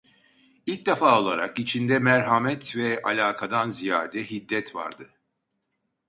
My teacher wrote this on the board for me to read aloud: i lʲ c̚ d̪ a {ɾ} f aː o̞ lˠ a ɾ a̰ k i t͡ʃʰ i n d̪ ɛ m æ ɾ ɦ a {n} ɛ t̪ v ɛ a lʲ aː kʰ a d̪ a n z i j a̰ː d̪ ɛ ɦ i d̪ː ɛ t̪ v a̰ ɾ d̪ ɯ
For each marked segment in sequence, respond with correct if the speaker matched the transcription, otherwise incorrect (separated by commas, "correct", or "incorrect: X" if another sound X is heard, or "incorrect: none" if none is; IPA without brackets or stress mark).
incorrect: none, incorrect: m